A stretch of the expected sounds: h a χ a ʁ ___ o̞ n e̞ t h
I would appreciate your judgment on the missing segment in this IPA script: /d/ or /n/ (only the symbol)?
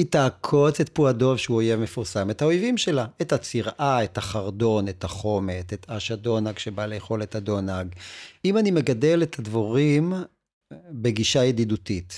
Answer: d